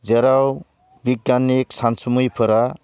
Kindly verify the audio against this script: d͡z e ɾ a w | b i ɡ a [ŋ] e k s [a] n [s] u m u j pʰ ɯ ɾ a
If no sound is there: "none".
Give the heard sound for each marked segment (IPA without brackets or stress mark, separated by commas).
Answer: n, a, s